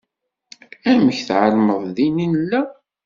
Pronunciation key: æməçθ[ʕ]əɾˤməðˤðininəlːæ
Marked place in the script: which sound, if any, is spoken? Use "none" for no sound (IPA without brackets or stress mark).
ʕ